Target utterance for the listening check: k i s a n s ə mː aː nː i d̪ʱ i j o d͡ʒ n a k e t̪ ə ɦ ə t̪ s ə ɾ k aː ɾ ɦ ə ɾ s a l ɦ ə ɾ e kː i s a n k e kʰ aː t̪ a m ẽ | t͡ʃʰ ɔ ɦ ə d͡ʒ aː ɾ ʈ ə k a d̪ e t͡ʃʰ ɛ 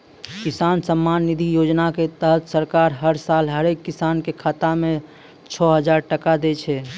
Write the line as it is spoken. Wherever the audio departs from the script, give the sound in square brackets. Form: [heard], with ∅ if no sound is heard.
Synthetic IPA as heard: k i s a n s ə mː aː nː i d̪ʱ i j o d͡ʒ n a k e t̪ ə ɦ ə t̪ s ə ɾ k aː ɾ ɦ ə ɾ s a l ɦ ə ɾ e kː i s a n k e kʰ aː t̪ a m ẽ | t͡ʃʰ ɔ ɦ ə d͡ʒ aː ɾ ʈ ə k a d̪ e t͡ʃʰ ɛ